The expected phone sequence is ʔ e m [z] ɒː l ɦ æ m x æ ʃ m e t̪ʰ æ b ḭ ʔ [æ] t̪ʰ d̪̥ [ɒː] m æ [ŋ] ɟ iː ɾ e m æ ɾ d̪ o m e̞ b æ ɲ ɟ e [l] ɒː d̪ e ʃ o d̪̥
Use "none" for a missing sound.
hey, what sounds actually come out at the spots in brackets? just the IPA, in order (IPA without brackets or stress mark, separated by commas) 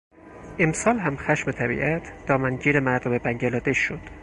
s, æ, ɒː, n, l